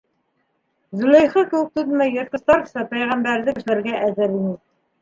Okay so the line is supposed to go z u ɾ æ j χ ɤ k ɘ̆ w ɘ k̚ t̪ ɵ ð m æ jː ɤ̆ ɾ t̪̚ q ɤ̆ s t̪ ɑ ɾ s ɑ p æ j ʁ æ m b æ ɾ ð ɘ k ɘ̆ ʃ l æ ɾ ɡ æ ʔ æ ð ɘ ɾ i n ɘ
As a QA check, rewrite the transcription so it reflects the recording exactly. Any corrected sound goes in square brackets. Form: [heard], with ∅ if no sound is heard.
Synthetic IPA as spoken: z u [l] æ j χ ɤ k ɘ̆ w ɘ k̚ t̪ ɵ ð m æ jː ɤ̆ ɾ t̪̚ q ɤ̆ s t̪ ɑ ɾ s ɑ p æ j ʁ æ m b æ ɾ ð ɘ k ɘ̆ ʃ l æ ɾ ɡ æ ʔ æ ð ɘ ɾ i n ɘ